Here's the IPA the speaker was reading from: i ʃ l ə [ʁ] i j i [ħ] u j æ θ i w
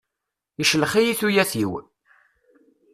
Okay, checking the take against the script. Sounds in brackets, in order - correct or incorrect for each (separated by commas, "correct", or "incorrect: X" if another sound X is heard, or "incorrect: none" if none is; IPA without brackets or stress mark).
incorrect: χ, incorrect: θ